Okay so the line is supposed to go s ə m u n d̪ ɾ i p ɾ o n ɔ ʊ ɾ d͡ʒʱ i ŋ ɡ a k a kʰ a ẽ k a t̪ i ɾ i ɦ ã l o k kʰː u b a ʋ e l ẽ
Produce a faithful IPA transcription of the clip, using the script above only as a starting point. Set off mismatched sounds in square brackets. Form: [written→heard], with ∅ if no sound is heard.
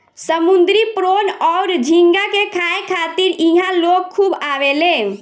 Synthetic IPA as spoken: s ə m u n d̪ ɾ i p ɾ o n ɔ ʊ ɾ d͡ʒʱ i ŋ ɡ a k [a→e] kʰ a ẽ [k→kʰ] a t̪ i ɾ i ɦ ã l o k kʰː u b a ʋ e l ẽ